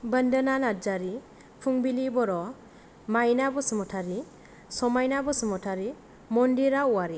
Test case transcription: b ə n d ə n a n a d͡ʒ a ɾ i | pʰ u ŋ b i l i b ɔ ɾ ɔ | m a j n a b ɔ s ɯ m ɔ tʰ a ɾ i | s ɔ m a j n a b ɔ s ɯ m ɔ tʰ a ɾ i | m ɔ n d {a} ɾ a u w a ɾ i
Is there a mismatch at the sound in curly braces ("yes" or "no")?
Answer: yes